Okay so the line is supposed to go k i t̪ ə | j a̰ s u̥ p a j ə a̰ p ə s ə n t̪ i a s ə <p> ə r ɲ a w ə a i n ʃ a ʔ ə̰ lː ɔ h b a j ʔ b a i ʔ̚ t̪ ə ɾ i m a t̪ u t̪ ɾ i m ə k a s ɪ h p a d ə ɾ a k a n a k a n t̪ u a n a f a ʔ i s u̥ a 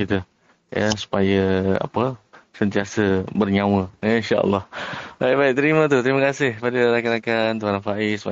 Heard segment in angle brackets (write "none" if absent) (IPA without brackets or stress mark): b